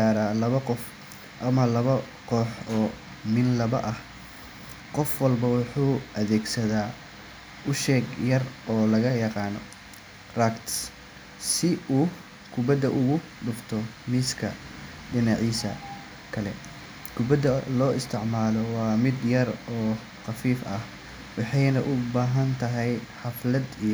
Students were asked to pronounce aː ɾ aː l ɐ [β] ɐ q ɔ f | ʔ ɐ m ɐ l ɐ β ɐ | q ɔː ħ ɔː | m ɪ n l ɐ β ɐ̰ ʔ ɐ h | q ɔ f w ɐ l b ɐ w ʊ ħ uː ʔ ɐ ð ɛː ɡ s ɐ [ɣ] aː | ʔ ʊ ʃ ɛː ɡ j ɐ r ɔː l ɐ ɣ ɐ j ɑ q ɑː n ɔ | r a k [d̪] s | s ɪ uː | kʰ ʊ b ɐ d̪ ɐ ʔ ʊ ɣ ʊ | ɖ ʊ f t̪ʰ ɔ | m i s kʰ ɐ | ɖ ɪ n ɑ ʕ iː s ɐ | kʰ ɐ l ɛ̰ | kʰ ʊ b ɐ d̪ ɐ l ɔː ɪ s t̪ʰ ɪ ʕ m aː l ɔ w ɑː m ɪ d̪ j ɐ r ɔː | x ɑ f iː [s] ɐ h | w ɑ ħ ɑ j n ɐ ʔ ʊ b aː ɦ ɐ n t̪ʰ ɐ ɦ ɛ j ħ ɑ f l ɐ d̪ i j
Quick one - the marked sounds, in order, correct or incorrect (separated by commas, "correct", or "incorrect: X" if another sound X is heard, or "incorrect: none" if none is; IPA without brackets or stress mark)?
correct, incorrect: ð, incorrect: t̪, incorrect: f